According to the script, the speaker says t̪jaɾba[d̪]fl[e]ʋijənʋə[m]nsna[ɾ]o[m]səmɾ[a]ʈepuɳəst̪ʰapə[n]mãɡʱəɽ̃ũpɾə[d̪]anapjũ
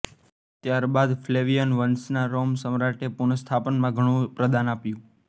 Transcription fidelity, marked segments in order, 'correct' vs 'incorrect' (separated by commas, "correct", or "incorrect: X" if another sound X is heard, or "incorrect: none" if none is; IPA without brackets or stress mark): correct, correct, incorrect: none, correct, correct, correct, correct, correct